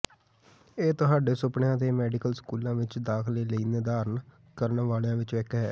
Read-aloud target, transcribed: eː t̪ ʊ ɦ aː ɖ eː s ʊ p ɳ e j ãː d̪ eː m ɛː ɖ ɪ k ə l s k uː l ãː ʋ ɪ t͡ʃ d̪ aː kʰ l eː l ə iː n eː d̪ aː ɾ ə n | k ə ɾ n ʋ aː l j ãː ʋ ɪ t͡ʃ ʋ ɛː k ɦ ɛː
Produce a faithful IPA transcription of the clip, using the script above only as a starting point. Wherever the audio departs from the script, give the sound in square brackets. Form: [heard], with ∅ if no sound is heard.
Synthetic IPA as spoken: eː t̪ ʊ ɦ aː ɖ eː s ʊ p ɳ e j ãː [t̪] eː m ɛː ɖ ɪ k ə l s k uː l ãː ʋ ɪ t͡ʃ d̪ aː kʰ l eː l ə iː n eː d̪ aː ɾ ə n | k ə ɾ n ʋ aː l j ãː ʋ ɪ t͡ʃ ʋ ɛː k ɦ ɛː